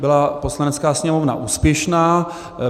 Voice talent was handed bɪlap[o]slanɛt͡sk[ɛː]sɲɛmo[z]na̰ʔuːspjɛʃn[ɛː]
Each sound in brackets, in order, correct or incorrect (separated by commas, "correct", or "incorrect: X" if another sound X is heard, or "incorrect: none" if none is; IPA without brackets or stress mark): correct, incorrect: aː, incorrect: v, incorrect: aː